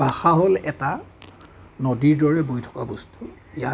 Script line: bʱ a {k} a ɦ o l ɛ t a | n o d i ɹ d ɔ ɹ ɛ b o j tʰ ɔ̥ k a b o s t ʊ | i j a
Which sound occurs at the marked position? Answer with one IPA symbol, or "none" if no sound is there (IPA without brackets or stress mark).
x